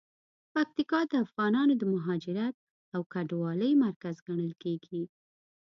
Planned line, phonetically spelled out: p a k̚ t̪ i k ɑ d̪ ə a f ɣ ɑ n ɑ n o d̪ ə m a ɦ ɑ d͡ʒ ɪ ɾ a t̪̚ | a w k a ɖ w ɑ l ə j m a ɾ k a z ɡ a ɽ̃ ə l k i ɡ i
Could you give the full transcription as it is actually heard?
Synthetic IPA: p a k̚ t̪ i k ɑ d̪ ə a f ɣ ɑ n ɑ n o d̪ ə m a ɦ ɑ d͡ʒ ɪ ɾ a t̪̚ | a w k a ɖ w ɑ l ə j m a ɾ k a z ɡ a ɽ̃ ə l k e ɡ i